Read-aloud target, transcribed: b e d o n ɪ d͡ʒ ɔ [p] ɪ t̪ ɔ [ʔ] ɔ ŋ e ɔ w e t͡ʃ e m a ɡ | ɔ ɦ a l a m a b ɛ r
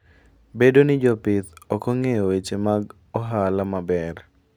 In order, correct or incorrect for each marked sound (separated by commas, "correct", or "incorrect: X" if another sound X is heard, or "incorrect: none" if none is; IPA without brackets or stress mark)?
correct, incorrect: k